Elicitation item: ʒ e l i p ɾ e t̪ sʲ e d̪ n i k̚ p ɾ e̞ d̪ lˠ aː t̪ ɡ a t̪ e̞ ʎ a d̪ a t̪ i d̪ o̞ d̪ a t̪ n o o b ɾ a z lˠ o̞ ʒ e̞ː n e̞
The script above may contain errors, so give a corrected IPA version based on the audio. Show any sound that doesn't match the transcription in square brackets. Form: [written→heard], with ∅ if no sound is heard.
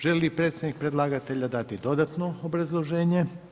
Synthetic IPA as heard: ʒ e l i p ɾ e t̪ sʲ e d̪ n i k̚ p ɾ e̞ d̪ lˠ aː [t̪→∅] ɡ a t̪ e̞ ʎ a d̪ a t̪ i d̪ o̞ d̪ a t̪ n o o b ɾ a z lˠ o̞ ʒ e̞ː [n→ɲ] e̞